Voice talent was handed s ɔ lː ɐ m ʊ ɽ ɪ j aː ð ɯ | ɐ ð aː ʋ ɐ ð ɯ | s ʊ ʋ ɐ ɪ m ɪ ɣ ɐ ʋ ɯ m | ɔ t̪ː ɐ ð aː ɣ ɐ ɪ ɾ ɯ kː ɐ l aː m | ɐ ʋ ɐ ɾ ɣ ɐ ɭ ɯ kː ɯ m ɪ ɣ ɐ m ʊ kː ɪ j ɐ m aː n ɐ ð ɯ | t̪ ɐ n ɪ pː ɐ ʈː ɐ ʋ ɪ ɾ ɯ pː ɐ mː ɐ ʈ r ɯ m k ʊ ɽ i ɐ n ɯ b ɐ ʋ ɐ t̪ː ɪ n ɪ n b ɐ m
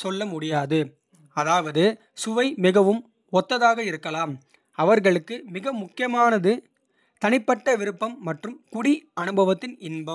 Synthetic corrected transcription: s ɔ lː ɐ m ʊ ɽ ɪ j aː ð ɯ | ɐ ð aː ʋ ɐ ð ɯ | s ʊ ʋ ɐ ɪ m ɪ ɣ ɐ ʋ ɯ m | ɔ t̪ː ɐ ð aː ɣ ɐ ɪ ɾ ɯ kː ɐ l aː m | ɐ ʋ ɐ ɾ ɣ ɐ ɭ ɯ kː ɯ m ɪ ɣ ɐ m ʊ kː ɪ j ɐ m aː n ɐ ð ɯ | t̪ ɐ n ɪ pː ɐ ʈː ɐ ʋ ɪ ɾ ɯ pː ɐ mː ɐ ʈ r ɯ m k ʊ ɽ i ɐ n ɯ b ɐ ʋ ɐ t̪ː ɪ n ɪ n b ɐ m

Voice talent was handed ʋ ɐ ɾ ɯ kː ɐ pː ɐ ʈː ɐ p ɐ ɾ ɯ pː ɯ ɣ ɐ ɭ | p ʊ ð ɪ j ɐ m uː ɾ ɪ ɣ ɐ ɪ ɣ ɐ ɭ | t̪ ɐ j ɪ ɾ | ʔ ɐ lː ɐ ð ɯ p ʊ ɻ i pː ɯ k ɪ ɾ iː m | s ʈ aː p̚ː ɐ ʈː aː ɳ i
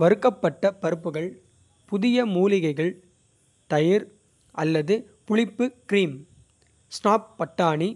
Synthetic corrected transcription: ʋ ɐ ɾ ɯ kː ɐ pː ɐ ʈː ɐ p ɐ ɾ ɯ pː ɯ ɣ ɐ ɭ | p ʊ ð ɪ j ɐ m uː l ɪ ɣ ɐ ɪ ɣ ɐ ɭ | t̪ ɐ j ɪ ɾ | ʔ ɐ lː ɐ ð ɯ p ʊ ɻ ɪ pː ɯ k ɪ ɾ iː m | s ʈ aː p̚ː ɐ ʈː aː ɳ i

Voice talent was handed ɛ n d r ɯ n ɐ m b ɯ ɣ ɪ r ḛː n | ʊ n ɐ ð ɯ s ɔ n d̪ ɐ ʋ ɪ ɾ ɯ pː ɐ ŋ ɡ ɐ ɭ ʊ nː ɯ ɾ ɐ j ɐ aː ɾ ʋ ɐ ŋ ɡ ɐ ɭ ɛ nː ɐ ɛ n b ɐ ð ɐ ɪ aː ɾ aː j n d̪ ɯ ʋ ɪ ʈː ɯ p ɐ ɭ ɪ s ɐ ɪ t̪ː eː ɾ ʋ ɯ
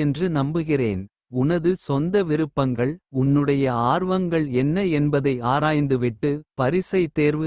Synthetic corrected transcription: ɛ n d r ɯ n ɐ m b ɯ ɣ ɪ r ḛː n | ʊ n ɐ ð ɯ s ɔ n d̪ ɐ ʋ ɪ ɾ ɯ pː ɐ ŋ ɡ ɐ ɭ ʊ nː ɯ ɽ ɐ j ɐ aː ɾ ʋ ɐ ŋ ɡ ɐ ɭ ɛ nː ɐ ɛ n b ɐ ð ɐ ɪ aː ɾ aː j n d̪ ɯ ʋ ɪ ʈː ɯ p ɐ ɾ ɪ s ɐ ɪ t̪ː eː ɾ ʋ ɯ

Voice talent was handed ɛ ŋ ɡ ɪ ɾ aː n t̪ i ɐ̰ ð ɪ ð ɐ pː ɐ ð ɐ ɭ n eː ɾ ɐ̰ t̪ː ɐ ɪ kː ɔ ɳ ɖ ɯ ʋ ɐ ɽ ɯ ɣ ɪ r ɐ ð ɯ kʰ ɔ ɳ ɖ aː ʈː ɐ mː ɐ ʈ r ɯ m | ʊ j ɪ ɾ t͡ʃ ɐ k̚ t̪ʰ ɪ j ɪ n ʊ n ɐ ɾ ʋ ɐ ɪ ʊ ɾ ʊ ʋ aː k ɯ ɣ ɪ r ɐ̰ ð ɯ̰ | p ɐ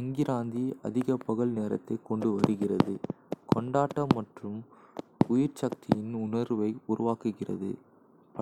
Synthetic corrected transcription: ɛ ŋ ɡ ɪ ɾ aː n d̪ i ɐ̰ ð ɪ ɣ ɐ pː ɐ ɣ ɐ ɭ n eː ɾ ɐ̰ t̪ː ɐ ɪ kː ɔ ɳ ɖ ɯ ʋ ɐ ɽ ɯ ɣ ɪ r ɐ ð ɯ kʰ ɔ ɳ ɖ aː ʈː ɐ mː ɐ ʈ r ɯ m | ʊ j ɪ ɾ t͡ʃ ɐ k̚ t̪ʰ ɪ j ɪ n ʊ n ɐ ɾ ʋ ɐ ɪ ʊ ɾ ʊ ʋ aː k ɯ ɣ ɪ r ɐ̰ ð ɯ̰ | p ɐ

